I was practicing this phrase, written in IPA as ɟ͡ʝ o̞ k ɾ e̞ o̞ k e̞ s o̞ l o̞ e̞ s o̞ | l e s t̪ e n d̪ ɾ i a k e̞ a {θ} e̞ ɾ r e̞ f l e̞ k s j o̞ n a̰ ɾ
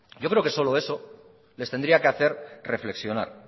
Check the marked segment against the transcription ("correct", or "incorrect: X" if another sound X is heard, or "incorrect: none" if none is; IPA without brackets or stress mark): correct